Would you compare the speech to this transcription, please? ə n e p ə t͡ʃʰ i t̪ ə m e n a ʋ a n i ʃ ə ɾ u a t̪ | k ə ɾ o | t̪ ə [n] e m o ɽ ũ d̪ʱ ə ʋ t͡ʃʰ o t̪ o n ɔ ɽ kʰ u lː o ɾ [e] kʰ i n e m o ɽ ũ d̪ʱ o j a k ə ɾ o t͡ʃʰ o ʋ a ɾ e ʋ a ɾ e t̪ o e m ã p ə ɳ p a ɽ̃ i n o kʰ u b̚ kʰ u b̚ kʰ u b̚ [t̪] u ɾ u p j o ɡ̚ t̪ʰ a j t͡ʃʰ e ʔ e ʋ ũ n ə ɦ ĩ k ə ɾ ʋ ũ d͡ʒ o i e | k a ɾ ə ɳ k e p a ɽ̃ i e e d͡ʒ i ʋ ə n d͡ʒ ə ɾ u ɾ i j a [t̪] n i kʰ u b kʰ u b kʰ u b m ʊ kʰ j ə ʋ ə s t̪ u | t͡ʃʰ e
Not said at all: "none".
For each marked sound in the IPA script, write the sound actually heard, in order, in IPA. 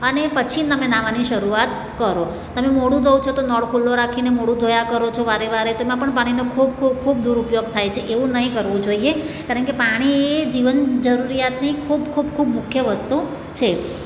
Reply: m, a, d̪, t̪

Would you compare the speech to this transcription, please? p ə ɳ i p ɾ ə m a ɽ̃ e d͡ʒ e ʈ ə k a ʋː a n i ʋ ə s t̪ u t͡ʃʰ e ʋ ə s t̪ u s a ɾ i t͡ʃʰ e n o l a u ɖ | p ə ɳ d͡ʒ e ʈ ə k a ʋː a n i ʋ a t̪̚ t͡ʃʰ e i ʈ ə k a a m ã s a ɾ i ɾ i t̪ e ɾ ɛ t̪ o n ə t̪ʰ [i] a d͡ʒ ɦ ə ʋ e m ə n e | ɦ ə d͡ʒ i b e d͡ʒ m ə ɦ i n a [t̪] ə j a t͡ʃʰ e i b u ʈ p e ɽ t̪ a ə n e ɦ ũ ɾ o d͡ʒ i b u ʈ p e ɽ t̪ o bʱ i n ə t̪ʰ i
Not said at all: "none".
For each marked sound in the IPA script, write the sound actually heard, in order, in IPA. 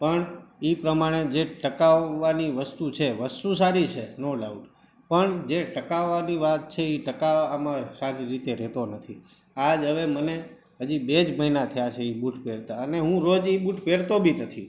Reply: i, t̪ʰ

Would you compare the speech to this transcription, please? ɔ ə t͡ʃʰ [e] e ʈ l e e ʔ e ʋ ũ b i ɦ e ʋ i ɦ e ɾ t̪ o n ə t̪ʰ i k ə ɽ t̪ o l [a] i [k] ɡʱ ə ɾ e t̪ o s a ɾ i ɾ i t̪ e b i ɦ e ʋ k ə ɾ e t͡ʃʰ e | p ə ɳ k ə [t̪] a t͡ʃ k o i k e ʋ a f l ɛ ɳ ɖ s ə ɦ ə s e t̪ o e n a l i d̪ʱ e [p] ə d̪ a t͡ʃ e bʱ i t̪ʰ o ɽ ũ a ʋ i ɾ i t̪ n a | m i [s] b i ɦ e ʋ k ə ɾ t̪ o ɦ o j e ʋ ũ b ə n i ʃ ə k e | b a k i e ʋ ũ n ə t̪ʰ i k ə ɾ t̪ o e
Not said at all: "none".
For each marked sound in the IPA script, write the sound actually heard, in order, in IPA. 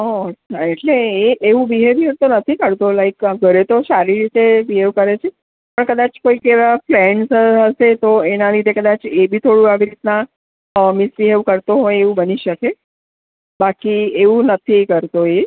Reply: a, a, k, d̪, k, s

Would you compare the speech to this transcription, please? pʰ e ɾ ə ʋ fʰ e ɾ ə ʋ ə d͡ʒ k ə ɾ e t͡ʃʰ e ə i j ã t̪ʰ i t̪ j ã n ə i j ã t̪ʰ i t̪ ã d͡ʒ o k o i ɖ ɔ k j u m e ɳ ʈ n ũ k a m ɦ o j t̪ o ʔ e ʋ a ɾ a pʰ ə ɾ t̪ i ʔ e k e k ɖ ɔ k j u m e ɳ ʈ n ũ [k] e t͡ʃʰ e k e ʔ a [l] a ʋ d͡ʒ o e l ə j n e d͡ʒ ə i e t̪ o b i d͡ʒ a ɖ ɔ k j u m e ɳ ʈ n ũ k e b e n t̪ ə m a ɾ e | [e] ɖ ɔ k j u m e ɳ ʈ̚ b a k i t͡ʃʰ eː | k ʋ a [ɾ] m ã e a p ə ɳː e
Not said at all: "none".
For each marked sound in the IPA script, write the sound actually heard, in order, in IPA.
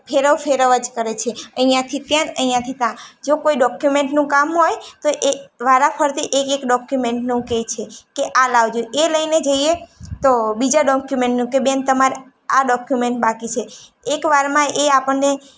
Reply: k, l, a, ɾ

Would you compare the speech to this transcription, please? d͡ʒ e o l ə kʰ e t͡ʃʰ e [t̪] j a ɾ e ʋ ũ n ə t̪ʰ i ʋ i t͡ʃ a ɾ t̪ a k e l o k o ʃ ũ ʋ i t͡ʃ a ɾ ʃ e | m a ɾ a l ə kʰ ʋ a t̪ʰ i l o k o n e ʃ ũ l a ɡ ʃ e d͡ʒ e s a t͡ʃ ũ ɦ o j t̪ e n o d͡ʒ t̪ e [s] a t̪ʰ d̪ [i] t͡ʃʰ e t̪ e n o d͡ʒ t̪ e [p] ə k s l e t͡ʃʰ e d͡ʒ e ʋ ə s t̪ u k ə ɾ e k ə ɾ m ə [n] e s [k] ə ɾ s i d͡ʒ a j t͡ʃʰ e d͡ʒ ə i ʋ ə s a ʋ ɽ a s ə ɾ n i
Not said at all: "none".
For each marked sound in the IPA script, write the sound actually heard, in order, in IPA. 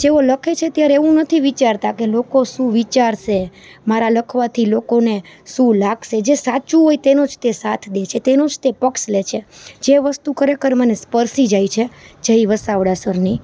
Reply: t̪, s, e, p, n, p

